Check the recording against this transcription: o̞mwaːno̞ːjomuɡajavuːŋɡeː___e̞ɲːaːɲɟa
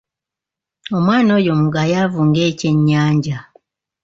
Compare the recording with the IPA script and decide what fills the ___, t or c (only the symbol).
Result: c